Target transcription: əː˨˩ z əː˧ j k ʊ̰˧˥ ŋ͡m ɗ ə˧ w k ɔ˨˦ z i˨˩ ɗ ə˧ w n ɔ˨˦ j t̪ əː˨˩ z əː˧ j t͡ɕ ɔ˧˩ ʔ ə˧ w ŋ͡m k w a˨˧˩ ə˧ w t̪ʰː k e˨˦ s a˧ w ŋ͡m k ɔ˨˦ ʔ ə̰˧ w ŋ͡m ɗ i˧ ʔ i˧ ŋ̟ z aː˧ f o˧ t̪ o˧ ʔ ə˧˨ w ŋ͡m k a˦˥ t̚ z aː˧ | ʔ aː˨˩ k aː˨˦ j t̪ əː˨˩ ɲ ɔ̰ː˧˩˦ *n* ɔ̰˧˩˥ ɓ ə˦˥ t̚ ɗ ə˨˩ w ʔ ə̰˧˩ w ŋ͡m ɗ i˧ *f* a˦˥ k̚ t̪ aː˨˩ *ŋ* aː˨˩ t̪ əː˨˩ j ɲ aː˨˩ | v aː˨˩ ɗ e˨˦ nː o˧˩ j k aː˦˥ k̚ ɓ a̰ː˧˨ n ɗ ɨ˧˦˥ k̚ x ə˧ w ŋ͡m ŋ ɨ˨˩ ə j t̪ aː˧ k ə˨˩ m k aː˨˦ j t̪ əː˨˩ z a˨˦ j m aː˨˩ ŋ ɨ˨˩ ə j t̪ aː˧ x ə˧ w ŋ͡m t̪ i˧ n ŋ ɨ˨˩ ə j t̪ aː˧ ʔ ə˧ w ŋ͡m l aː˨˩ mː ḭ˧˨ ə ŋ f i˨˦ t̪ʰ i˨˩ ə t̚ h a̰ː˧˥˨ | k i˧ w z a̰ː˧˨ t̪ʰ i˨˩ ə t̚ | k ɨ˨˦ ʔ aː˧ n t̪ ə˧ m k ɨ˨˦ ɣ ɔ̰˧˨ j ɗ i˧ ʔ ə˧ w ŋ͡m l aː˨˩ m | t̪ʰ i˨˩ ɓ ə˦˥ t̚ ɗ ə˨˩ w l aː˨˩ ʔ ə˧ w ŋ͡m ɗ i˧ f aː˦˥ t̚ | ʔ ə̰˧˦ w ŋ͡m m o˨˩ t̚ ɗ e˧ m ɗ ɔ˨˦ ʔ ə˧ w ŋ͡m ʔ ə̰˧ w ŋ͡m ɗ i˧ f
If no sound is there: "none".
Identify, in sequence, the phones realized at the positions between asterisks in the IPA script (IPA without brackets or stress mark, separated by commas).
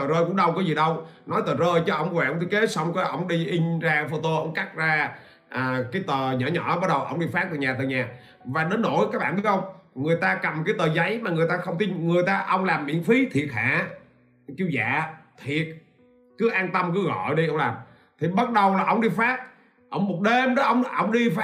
ɲ, f, ɲ